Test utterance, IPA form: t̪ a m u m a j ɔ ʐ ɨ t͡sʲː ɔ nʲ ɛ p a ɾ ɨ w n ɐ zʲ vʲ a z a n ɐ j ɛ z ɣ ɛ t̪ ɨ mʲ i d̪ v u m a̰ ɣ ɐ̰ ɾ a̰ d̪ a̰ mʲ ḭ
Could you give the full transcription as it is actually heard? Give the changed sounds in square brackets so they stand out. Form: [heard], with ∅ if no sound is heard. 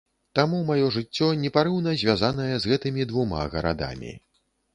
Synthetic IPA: t̪ a m u m a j ɔ ʐ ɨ t͡sʲː ɔ nʲ ɛ p a ɾ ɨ w n ɐ zʲ vʲ a z a n ɐ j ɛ z ɣ ɛ t̪ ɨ mʲ i d̪ v u m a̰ ɣ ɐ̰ ɾ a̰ d̪ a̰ mʲ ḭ

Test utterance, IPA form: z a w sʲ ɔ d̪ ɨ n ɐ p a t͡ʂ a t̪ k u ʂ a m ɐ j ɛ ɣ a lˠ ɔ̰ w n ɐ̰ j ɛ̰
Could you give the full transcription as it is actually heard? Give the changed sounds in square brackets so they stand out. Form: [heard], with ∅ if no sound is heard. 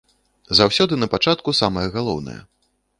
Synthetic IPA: z a w sʲ ɔ d̪ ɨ n ɐ p a t͡ʂ a t̪ k u [s] a m ɐ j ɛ ɣ a lˠ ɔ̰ w n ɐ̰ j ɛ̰

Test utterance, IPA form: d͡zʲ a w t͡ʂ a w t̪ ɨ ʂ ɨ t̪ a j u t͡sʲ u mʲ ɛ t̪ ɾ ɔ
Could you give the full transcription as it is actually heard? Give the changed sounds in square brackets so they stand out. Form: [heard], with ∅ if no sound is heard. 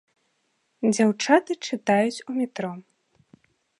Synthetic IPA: d͡zʲ a w t͡ʂ a [∅] t̪ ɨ [t͡ʂ] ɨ t̪ a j u t͡sʲ u mʲ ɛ t̪ ɾ ɔ

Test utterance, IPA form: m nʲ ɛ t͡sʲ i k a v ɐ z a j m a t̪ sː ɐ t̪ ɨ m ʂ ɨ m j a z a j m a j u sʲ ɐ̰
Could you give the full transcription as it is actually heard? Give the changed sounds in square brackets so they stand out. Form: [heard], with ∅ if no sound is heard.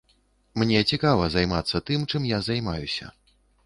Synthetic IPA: m nʲ ɛ t͡sʲ i k a v ɐ z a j m a t̪ sː ɐ t̪ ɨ m [t͡ʂ] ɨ m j a z a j m a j u sʲ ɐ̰

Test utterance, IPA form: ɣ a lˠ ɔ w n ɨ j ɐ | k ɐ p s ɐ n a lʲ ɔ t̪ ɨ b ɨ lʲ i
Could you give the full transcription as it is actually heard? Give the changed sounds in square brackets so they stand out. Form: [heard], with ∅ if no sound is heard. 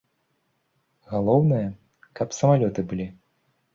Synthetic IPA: ɣ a lˠ ɔ w n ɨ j ɐ | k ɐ p s ɐ [m] a lʲ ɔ t̪ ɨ b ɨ lʲ i

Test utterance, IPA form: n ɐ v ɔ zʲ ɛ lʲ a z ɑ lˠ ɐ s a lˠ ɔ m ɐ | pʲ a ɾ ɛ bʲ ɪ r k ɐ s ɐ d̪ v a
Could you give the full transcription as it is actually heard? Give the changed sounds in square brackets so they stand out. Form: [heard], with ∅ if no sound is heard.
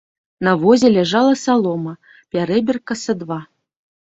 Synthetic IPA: n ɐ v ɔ zʲ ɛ lʲ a [ʐ] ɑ lˠ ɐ s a lˠ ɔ m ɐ | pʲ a ɾ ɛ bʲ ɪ r k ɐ s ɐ d̪ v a

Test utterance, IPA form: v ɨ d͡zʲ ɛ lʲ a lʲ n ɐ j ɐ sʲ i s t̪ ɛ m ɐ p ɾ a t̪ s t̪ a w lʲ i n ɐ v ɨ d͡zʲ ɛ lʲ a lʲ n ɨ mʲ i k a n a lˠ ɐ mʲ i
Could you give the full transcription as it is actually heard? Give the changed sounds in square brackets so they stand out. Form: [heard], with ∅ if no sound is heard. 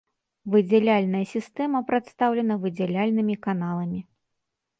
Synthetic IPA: v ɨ d͡zʲ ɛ lʲ a lʲ n ɐ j ɐ sʲ i s t̪ ɛ m ɐ p ɾ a t̪ s t̪ a w lʲ [ɛ] n ɐ v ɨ d͡zʲ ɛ lʲ a lʲ n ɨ mʲ i k a n a lˠ ɐ mʲ i

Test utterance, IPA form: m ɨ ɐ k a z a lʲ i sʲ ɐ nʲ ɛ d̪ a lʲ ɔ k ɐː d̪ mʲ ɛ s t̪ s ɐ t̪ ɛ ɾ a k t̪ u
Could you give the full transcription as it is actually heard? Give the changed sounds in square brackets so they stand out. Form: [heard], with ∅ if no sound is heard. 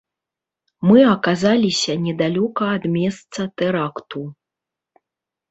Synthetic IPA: m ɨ ɐ k a z a lʲ i sʲ ɐ nʲ ɛ d̪ a lʲ ɔ k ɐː d̪ mʲ ɛ s t̪ s ɐ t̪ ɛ ɾ a k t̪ u

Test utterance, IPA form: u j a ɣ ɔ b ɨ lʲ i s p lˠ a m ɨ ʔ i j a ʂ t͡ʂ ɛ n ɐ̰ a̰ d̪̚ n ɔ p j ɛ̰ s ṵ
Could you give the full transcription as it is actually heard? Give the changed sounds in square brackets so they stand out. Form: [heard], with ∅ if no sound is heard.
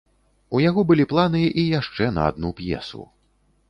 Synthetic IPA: u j a ɣ ɔ b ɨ lʲ i [∅] p lˠ a [n] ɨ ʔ i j a ʂ t͡ʂ ɛ n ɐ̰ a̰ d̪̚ n [u] p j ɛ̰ s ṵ

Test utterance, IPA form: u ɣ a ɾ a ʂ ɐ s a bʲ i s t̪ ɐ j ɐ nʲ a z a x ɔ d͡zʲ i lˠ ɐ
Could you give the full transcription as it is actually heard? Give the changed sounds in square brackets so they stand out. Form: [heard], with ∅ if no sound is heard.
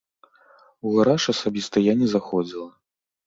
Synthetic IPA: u ɣ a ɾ a ʂ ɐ s a bʲ i s t̪ ɐ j [a] nʲ [ɛ] z a x ɔ d͡zʲ i lˠ ɐ

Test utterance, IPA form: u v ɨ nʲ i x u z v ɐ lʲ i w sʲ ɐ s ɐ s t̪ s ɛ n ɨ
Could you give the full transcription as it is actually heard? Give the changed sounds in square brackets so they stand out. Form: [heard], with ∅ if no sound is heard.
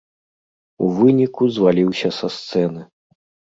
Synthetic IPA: u v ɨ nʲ i [k] u z v [a] lʲ i w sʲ ɐ s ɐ s t̪ s ɛ n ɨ

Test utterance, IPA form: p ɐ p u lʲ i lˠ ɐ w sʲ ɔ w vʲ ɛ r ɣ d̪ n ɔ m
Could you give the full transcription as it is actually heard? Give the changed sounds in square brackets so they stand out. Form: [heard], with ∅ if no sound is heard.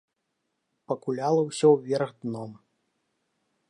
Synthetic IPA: p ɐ [k] u lʲ [a] lˠ ɐ w sʲ ɔ w vʲ ɛ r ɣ d̪ n ɔ m

